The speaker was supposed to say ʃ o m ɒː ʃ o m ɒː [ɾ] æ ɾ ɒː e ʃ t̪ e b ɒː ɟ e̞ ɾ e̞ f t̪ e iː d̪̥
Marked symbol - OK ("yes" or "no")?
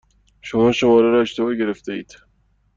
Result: yes